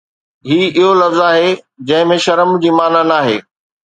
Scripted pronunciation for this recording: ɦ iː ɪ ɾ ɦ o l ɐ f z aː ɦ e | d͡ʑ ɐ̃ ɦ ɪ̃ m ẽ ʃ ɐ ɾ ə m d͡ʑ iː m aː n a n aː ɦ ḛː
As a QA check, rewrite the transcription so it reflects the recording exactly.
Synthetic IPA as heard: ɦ iː ɪ ɦ o l ɐ f z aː ɦ e | d͡ʑ ɐ̃ ɦ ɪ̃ m ẽ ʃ ɐ ɾ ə m d͡ʑ iː m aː n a n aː ɦ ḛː